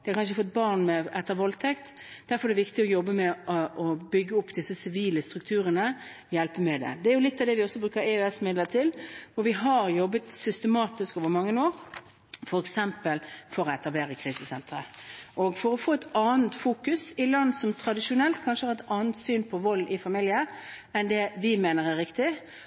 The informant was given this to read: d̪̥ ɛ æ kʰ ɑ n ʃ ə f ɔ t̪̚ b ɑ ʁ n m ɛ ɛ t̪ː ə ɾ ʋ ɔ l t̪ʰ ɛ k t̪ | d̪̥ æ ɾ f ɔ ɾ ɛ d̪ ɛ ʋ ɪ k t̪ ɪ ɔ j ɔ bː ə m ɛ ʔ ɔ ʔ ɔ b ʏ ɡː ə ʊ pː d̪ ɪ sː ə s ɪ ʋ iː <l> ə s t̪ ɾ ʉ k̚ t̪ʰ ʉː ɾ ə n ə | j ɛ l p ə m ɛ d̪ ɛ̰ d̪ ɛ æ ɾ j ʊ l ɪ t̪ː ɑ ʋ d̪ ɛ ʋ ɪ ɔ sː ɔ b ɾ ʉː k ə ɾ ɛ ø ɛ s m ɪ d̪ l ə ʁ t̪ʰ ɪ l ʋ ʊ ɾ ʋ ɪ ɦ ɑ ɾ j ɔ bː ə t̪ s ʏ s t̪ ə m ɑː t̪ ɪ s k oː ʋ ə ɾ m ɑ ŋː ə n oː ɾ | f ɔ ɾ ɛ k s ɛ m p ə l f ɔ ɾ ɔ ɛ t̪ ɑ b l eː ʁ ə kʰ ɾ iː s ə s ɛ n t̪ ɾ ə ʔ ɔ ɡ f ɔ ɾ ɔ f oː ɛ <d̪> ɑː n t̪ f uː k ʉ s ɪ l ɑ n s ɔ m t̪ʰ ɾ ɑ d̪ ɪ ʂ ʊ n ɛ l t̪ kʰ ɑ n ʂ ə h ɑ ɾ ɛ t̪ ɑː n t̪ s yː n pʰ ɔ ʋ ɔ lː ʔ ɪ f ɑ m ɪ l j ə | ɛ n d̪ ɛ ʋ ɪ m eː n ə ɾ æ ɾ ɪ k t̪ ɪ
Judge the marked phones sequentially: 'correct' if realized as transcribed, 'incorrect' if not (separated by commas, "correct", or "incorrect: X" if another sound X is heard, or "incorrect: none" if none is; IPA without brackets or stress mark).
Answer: correct, incorrect: t̪